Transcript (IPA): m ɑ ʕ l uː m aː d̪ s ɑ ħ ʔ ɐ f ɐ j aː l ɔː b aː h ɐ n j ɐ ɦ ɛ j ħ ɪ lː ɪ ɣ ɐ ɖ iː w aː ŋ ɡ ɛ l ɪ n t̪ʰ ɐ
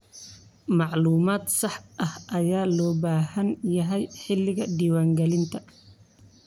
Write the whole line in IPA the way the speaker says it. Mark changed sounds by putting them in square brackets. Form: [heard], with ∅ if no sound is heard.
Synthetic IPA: m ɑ ʕ l uː m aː d̪ s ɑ ħ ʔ ɐ [h] ɐ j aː l ɔː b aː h ɐ n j ɐ ɦ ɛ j ħ ɪ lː ɪ ɣ ɐ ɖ iː w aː ŋ ɡ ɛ l ɪ n t̪ʰ ɐ